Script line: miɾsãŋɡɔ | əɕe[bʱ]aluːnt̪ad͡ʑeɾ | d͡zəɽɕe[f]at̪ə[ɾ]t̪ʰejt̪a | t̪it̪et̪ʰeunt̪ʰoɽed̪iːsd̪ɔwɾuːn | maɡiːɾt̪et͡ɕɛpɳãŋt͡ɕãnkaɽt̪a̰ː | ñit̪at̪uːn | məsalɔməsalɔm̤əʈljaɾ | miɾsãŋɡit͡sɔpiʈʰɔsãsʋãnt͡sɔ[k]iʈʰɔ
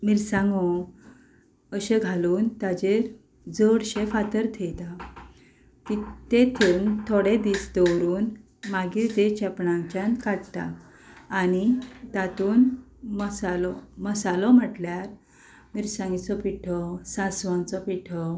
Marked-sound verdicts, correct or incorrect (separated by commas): incorrect, correct, correct, incorrect